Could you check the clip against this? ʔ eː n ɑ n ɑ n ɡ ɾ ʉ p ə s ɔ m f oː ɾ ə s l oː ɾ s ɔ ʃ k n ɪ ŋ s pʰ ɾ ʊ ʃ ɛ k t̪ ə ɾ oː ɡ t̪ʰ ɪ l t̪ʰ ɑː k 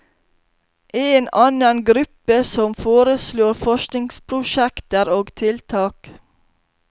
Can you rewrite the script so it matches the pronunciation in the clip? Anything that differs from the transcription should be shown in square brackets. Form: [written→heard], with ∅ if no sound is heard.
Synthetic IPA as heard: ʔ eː n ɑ n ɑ n ɡ ɾ ʉ p ə s ɔ m f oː ɾ ə s l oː ɾ [s→f] ɔ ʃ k n ɪ ŋ s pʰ ɾ ʊ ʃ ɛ k t̪ ə ɾ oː ɡ t̪ʰ ɪ l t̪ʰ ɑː k